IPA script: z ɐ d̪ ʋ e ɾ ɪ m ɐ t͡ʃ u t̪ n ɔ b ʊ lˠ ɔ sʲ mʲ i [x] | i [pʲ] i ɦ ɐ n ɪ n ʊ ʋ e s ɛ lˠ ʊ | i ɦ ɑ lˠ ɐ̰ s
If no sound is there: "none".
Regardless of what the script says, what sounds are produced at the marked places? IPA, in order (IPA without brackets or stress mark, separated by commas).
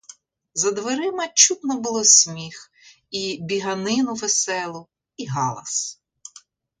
x, bʲ